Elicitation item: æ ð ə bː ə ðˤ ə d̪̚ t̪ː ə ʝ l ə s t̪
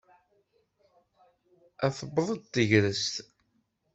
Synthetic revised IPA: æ θ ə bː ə ðˤ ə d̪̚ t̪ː ə ʝ ɾ ə s t̪